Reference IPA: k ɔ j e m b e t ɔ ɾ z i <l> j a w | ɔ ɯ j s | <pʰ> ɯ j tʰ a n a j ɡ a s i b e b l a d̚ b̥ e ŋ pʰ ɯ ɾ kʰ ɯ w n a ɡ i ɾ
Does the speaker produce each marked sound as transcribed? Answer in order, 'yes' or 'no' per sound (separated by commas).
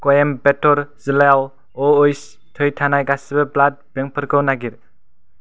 yes, no